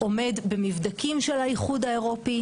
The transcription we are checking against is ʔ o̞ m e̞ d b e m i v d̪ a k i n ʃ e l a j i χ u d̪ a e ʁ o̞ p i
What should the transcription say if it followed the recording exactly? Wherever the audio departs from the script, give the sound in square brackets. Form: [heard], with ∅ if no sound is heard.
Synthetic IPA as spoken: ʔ o̞ m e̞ d b e m i v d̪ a k i [m] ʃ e l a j i χ u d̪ a e ʁ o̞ p i